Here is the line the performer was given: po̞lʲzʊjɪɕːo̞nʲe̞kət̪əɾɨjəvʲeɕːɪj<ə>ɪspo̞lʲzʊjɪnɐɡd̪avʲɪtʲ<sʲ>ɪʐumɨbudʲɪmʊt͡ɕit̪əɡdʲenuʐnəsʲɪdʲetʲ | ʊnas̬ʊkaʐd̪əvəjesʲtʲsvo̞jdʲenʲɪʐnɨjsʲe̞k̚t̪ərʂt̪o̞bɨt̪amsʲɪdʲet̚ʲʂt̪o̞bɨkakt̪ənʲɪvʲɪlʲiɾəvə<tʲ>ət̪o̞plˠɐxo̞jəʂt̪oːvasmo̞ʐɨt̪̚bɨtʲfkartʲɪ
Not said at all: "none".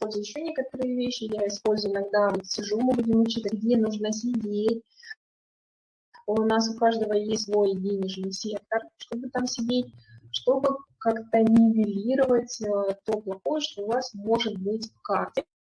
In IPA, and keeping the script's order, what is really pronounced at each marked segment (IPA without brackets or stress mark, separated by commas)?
a, sʲ, tʲ